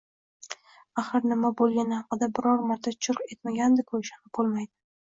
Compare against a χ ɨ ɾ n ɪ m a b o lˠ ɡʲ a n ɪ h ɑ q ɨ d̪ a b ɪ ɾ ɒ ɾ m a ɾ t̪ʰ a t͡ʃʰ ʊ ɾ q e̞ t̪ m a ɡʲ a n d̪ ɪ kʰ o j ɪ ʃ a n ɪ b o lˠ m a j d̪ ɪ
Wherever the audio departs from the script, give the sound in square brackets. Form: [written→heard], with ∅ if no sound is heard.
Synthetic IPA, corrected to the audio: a χ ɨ ɾ n ɪ m a b o lˠ ɡʲ a n ɪ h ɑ q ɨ d̪ a b ɪ ɾ ɒ ɾ m a ɾ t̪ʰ a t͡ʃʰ ʊ ɾ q e̞ t̪ m a ɡʲ a n d̪ ɪ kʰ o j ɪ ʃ a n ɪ b o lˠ m a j d̪ ɪ